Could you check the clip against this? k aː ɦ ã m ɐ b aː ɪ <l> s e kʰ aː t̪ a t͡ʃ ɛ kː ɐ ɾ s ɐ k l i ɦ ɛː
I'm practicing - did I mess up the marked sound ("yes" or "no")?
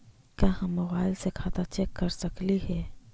no